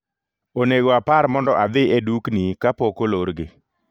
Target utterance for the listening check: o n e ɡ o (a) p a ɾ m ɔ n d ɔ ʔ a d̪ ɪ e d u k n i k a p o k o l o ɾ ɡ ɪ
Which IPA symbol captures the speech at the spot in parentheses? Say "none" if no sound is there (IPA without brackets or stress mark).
a